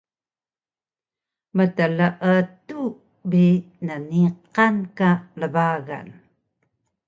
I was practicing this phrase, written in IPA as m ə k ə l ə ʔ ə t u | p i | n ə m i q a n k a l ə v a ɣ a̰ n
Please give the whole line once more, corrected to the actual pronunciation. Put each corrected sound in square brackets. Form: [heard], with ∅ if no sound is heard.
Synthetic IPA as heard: m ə [t] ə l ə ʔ ə t u | [b] i | n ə [n] i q a n k a l ə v a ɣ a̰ n